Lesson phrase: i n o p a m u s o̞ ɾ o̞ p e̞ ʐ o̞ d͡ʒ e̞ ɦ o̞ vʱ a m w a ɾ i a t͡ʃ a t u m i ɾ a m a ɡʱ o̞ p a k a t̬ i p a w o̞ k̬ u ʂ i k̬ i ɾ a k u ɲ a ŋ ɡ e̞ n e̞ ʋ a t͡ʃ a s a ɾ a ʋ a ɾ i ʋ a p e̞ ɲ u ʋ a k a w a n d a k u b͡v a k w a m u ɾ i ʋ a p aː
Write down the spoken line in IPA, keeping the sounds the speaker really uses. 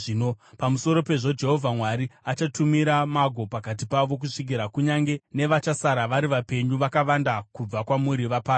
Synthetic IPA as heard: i n o p a m u s o̞ ɾ o̞ p e̞ ʐ o̞ d͡ʒ e̞ ɦ o̞ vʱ a m w a ɾ i a t͡ʃ a t u m i ɾ a m a ɡʱ o̞ p a k a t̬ i p a ʋ o̞ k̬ u ʂ i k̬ i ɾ a k u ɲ a ŋ ɡ e̞ n e̞ ʋ a t͡ʃ a s a ɾ a ʋ a ɾ i ʋ a p e̞ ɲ u ʋ a k a ʋ a n d a k u b͡v a k w a m u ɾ i ʋ a p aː